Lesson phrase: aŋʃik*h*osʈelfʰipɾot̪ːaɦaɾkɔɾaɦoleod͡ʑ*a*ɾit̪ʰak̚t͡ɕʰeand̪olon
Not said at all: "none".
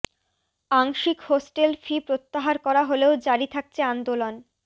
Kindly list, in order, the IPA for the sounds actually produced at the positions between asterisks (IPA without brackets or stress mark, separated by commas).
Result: h, a